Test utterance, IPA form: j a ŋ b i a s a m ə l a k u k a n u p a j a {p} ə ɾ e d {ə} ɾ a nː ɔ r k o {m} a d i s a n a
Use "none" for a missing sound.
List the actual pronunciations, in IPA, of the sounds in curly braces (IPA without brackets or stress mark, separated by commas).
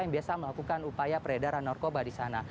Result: p, a, b